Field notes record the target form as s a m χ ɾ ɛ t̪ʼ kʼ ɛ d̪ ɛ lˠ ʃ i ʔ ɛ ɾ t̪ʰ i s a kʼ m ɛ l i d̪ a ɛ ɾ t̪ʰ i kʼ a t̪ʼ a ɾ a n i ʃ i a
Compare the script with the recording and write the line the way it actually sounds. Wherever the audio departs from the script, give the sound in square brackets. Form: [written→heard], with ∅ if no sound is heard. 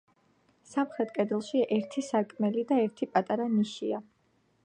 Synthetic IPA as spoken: s a m χ ɾ ɛ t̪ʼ kʼ ɛ d̪ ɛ lˠ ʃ i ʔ ɛ ɾ t̪ʰ i s a kʼ m ɛ l i d̪ a ɛ ɾ t̪ʰ i [kʼ→pʼ] a t̪ʼ a ɾ a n i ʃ i a